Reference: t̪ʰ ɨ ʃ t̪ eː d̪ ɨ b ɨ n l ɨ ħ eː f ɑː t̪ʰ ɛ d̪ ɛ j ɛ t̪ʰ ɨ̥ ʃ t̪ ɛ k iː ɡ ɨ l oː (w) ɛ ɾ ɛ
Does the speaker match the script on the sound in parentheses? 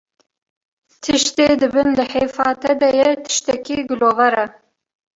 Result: no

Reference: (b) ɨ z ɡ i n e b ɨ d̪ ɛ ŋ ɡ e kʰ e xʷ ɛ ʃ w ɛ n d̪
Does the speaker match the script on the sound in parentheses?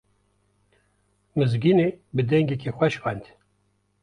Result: no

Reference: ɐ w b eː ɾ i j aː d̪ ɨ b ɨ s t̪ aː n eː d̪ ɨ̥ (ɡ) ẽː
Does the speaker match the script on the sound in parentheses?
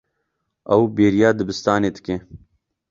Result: no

